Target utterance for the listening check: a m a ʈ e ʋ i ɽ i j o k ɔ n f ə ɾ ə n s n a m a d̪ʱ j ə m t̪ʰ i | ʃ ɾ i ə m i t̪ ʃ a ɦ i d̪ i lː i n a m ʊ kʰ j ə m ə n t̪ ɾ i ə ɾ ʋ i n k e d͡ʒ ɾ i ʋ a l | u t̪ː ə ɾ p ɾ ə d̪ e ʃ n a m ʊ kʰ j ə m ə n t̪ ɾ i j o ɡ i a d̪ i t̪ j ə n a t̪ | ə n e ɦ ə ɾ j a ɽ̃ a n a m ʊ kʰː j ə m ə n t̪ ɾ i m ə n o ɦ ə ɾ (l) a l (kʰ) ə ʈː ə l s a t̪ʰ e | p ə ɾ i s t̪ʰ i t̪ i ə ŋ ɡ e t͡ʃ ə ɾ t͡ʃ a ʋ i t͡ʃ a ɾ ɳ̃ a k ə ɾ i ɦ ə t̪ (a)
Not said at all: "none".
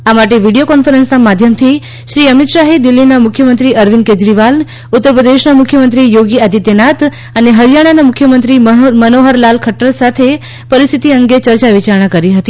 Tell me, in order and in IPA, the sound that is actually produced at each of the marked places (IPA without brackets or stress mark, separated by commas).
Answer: l, kʰ, i